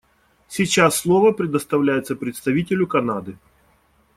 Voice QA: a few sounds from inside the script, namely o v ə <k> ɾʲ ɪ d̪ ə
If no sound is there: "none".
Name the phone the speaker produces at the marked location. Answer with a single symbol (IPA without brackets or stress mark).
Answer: p